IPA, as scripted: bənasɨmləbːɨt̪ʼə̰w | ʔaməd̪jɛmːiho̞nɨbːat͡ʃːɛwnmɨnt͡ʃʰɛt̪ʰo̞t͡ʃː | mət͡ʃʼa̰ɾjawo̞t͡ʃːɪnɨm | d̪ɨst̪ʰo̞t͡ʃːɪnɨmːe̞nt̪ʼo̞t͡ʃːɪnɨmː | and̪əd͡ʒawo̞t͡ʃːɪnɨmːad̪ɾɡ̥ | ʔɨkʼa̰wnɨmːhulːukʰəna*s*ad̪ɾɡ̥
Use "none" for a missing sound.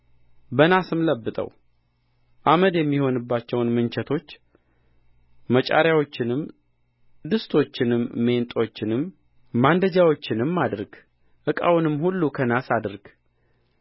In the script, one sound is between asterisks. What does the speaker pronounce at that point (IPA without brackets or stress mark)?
s